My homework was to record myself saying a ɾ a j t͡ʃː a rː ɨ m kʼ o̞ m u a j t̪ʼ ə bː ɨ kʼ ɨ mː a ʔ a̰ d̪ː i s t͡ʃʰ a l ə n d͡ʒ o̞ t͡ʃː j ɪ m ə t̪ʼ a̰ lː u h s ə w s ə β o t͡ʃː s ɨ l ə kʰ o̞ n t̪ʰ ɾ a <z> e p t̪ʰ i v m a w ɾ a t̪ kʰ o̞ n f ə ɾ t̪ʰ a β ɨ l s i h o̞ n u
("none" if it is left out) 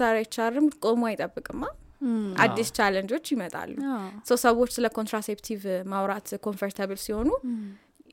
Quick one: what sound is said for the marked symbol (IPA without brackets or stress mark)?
s